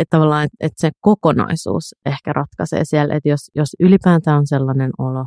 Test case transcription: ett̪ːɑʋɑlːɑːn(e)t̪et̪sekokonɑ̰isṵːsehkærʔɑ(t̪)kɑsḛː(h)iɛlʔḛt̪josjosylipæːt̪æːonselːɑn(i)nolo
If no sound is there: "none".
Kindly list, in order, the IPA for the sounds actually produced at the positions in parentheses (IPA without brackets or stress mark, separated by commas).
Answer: e, t̪, s, e